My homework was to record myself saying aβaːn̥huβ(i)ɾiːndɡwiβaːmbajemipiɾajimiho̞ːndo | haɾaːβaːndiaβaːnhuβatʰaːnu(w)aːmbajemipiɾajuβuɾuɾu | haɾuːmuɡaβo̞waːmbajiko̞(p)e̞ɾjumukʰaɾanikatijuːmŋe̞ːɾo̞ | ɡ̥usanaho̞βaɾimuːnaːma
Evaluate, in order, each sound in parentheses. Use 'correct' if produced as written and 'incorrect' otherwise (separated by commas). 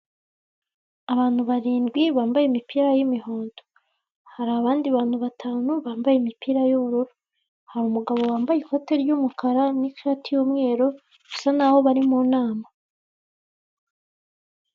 incorrect, incorrect, incorrect